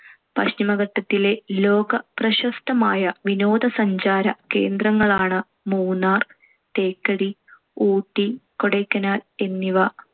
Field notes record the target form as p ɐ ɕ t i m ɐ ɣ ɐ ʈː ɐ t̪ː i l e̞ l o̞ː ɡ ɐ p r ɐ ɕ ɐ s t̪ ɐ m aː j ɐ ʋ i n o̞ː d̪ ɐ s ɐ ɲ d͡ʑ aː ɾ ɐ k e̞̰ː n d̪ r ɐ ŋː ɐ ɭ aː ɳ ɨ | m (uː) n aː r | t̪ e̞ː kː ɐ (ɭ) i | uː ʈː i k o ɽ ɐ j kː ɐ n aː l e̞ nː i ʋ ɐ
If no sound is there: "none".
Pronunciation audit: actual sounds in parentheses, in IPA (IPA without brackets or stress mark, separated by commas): uː, ɽ